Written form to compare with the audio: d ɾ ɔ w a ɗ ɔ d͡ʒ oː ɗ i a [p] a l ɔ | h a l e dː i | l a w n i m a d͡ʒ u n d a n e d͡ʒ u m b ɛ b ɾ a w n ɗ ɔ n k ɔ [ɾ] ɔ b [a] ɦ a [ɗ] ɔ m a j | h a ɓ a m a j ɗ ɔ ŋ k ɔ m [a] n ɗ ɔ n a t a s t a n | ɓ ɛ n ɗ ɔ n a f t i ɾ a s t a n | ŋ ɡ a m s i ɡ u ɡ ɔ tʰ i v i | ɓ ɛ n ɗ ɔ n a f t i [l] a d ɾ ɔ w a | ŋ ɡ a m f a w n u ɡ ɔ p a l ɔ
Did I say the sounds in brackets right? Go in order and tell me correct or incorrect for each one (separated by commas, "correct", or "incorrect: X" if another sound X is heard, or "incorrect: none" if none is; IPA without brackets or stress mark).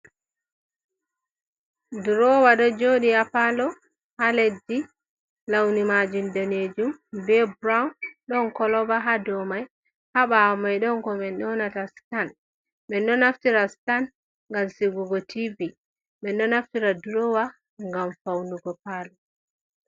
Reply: correct, incorrect: l, correct, incorrect: d, incorrect: ɛ, incorrect: ɾ